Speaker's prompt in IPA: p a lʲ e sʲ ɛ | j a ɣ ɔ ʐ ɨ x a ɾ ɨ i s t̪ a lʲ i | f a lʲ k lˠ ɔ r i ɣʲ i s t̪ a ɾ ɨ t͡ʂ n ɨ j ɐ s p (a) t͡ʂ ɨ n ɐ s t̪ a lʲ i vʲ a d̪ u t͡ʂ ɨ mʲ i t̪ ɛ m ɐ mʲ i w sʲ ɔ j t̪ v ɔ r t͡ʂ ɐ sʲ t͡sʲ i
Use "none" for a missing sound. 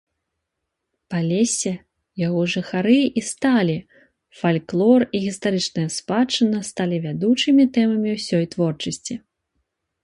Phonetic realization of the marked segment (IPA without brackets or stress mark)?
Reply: a